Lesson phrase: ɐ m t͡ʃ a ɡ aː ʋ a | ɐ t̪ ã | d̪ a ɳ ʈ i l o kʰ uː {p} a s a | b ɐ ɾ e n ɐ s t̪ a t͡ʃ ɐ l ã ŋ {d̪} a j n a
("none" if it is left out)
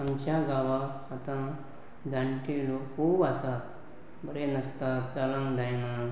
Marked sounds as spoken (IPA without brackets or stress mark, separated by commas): b, d̪